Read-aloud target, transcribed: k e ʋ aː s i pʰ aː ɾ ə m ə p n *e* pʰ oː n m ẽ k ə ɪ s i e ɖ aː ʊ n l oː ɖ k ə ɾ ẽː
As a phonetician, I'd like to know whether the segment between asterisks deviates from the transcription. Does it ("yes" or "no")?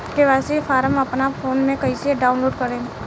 yes